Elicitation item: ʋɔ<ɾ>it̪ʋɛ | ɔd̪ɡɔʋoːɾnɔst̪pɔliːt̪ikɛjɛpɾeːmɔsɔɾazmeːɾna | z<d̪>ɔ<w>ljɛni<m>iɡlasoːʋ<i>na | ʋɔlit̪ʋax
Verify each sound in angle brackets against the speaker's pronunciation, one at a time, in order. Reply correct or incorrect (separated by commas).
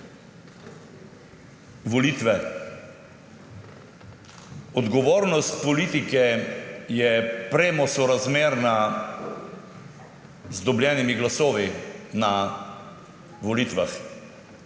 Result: incorrect, correct, incorrect, correct, correct